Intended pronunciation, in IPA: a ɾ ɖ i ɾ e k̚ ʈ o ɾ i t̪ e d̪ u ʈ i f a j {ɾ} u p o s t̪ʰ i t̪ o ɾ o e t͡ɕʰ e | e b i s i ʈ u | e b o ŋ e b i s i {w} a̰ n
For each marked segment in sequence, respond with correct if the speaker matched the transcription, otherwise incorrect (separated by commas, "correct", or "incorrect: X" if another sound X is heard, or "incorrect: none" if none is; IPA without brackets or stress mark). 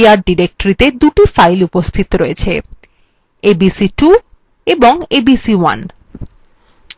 incorrect: l, correct